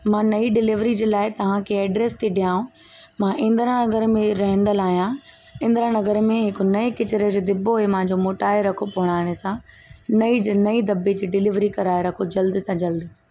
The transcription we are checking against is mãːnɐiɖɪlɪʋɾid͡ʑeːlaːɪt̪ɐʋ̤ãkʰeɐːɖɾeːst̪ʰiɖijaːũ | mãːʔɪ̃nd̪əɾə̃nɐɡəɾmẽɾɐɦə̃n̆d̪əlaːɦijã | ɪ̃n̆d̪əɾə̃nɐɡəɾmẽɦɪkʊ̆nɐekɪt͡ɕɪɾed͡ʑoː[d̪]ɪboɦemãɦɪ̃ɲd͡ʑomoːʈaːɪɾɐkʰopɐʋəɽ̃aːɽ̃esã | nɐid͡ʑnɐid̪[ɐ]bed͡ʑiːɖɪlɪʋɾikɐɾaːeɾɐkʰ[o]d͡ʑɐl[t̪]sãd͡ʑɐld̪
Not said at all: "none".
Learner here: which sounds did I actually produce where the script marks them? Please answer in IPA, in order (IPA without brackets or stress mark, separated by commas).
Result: d̪, ɐ, o, d̪